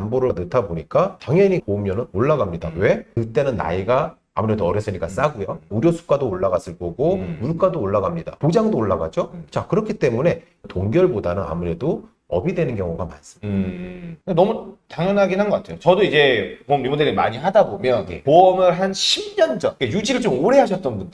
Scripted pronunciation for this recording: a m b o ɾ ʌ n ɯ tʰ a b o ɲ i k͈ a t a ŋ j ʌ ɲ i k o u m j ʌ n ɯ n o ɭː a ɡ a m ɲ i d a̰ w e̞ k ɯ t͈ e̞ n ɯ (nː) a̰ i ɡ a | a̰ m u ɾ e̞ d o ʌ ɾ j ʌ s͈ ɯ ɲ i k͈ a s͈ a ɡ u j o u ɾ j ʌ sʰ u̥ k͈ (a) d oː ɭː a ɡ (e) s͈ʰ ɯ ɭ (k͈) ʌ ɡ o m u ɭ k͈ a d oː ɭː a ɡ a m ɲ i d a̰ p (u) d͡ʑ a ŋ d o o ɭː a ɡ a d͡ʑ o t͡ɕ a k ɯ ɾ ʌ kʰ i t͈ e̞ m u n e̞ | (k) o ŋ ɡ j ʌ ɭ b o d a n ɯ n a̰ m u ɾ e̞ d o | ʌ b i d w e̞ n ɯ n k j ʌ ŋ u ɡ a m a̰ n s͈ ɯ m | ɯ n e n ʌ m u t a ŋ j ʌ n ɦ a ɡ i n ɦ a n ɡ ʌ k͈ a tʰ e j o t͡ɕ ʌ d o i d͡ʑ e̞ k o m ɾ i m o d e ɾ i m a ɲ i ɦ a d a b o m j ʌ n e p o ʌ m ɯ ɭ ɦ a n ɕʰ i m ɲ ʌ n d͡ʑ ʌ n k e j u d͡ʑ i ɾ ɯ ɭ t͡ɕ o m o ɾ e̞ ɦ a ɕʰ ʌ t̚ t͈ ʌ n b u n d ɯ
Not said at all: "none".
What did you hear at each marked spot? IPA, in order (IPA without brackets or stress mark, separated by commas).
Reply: nː, a, a, k͈, o, t